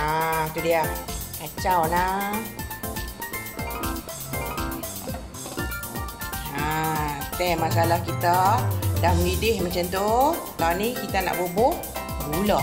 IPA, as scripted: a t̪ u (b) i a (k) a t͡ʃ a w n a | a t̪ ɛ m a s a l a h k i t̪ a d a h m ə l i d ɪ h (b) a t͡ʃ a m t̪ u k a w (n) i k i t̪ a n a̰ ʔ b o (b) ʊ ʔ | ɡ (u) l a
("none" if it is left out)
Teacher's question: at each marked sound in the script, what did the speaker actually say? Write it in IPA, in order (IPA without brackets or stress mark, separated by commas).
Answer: d, k, m, n, b, u